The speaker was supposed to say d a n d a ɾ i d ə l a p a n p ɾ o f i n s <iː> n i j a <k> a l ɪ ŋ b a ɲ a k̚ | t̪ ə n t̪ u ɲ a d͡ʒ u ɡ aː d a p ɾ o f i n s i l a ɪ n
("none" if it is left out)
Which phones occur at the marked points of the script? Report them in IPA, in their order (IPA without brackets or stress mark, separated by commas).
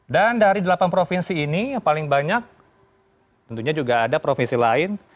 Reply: iː, p